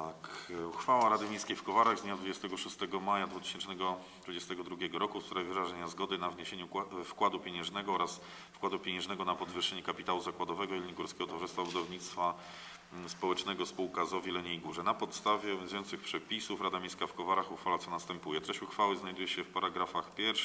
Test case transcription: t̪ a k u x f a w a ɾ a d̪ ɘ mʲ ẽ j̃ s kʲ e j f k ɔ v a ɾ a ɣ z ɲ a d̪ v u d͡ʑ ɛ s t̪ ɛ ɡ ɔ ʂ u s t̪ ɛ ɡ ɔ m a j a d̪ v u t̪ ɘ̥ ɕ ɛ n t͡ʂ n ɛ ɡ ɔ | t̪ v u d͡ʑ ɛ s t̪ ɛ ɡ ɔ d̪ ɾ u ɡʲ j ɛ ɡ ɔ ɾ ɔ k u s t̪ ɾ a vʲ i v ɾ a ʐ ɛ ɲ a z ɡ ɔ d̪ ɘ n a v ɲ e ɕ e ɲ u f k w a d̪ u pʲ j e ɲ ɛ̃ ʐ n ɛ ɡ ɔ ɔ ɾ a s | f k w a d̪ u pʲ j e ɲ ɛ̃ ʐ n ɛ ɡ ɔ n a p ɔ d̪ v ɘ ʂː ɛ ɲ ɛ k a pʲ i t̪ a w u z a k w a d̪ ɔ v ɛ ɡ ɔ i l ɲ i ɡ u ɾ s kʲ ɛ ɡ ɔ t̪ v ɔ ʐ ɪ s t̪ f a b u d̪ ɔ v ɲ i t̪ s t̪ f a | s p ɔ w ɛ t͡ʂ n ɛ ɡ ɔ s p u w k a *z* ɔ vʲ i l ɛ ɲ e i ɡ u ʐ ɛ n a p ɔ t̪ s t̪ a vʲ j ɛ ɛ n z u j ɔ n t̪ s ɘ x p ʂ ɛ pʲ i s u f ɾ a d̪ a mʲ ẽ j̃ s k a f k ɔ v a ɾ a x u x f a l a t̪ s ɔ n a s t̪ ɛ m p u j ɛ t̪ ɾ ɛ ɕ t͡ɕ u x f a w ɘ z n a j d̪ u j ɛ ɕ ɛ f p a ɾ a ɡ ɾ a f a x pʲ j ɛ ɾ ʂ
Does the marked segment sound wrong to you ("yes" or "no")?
no